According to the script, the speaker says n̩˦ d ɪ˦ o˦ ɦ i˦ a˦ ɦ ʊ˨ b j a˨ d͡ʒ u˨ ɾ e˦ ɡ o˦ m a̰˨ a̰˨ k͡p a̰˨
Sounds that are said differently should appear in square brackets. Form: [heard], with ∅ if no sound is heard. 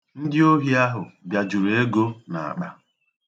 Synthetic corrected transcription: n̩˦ d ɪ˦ o˦ ɦ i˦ a˦ ɦ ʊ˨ b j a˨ d͡ʒ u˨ ɾ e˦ ɡ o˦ [n] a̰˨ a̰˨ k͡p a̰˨